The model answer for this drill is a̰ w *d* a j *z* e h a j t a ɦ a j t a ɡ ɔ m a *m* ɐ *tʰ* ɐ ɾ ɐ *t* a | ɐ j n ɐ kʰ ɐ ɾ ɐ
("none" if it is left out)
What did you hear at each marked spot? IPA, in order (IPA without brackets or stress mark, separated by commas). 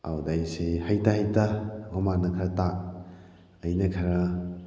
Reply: d, s, n, kʰ, t